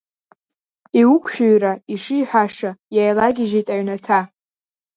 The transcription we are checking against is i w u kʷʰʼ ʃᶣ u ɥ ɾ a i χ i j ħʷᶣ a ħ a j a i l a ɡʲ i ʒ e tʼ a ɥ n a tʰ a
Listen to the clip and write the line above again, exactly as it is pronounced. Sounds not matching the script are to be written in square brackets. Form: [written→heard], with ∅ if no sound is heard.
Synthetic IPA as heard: i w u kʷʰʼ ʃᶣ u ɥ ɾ a i [χ→ʂ] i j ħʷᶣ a [ħ→ʂ] a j a [i→j] l a ɡʲ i ʒ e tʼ a ɥ n a tʰ a